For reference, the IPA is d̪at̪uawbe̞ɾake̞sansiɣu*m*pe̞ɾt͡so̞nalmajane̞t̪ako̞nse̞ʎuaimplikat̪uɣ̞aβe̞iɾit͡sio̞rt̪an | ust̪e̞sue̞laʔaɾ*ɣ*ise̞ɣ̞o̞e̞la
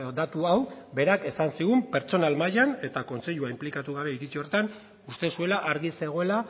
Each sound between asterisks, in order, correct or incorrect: correct, correct

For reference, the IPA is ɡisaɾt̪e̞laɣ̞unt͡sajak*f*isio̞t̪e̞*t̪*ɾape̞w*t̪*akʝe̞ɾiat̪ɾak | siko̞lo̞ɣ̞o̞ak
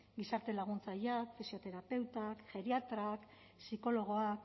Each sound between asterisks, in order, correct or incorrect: correct, incorrect, correct

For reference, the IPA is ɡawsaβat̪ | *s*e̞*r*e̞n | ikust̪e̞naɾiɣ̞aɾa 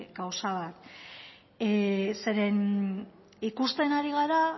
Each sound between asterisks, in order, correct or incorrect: correct, incorrect

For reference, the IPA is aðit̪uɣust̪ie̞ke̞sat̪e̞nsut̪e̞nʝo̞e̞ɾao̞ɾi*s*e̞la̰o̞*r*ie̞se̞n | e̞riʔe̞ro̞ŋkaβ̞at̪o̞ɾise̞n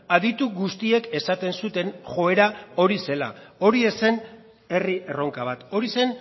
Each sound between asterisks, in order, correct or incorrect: correct, incorrect

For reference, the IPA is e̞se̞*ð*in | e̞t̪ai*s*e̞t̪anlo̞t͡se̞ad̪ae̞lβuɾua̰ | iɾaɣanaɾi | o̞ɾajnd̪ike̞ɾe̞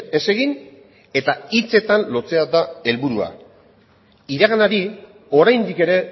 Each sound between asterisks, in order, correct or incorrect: incorrect, incorrect

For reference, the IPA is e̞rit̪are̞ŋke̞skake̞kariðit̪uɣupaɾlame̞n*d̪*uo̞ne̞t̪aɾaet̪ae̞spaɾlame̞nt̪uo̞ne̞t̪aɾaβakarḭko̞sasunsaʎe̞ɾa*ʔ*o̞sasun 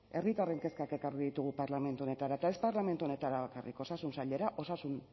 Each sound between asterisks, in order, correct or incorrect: incorrect, correct

